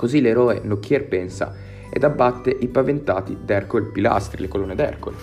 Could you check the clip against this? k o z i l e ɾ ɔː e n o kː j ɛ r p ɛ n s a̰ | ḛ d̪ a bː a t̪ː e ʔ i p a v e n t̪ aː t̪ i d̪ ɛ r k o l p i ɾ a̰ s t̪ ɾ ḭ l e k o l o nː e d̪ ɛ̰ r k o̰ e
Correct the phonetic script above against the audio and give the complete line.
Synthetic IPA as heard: k o z i l e ɾ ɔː e n o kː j ɛ r p ɛ n s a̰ | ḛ d̪ a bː a t̪ː e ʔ i p a v e n t̪ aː t̪ i d̪ ɛ r k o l p i l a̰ s t̪ ɾ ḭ l e k o l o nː e d̪ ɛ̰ r k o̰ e